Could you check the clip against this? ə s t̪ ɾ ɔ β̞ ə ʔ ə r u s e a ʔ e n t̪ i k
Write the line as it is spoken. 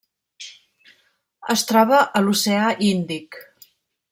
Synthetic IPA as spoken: ə s t̪ ɾ ɔ β̞ ə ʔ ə l u s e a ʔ i n d̪ i k